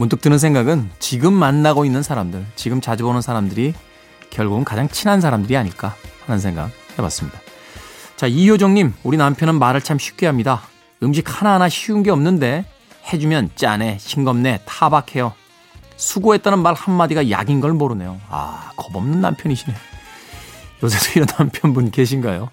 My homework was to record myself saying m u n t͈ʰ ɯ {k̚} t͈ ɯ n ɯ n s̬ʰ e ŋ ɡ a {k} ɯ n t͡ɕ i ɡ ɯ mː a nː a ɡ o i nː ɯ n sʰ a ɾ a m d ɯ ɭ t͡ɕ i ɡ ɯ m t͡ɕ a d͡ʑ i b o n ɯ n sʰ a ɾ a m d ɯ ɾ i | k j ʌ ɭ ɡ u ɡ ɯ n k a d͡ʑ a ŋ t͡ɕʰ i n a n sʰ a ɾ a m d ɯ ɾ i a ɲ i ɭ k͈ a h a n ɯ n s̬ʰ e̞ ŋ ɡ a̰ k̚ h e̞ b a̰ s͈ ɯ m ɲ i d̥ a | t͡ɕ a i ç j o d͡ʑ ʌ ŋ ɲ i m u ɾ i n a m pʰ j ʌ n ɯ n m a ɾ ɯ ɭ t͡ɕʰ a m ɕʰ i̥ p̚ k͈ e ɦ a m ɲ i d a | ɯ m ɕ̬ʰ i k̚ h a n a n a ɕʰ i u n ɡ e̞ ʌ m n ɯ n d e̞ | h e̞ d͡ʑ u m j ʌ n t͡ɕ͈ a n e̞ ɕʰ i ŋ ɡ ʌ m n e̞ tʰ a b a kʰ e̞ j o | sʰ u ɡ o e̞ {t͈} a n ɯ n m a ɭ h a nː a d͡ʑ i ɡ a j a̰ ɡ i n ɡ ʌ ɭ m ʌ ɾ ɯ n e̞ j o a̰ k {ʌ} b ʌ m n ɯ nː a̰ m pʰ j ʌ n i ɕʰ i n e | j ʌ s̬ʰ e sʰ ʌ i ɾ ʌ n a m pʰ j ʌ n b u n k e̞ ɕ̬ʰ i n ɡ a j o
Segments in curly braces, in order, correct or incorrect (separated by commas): correct, incorrect, correct, correct